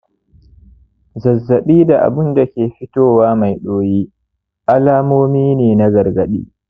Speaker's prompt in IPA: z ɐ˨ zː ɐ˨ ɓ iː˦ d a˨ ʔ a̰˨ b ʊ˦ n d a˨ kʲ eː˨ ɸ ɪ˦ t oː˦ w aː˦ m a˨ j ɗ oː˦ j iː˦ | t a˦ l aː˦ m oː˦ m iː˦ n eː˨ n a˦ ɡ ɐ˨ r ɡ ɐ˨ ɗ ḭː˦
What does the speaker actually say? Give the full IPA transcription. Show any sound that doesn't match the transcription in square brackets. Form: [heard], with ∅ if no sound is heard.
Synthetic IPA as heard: z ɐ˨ zː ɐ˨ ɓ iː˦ d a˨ ʔ a̰˨ b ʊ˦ n d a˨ kʲ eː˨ ɸ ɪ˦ t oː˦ w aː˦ m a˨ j ɗ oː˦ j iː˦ | [ʔ] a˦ l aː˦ m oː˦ m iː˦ n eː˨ n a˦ ɡ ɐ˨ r ɡ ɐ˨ ɗ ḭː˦